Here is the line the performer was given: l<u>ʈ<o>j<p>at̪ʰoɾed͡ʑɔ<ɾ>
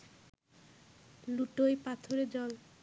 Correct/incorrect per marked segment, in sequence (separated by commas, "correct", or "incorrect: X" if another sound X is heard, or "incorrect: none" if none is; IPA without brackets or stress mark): correct, correct, correct, incorrect: l